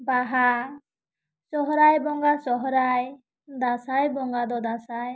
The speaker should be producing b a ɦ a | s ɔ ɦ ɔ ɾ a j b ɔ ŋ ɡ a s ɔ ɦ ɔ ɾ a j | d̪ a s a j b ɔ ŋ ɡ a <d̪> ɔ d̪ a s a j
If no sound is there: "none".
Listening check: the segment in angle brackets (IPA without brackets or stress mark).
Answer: d̪